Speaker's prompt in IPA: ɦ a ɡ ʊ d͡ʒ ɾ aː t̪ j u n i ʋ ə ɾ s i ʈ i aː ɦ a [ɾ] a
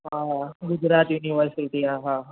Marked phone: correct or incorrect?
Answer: incorrect